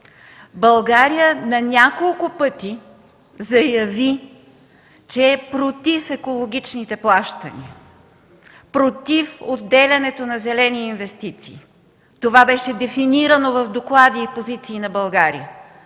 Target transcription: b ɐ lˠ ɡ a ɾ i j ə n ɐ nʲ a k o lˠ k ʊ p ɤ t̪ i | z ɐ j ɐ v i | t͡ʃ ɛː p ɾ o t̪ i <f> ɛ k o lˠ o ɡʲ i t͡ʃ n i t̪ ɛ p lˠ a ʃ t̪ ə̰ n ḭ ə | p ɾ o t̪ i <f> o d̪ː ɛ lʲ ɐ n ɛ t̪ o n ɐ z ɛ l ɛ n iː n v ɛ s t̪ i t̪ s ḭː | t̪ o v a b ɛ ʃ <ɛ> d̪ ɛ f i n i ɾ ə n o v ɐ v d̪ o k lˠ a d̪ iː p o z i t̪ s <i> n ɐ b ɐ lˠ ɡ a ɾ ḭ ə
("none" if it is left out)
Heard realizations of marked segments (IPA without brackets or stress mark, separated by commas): f, f, ɛ, iː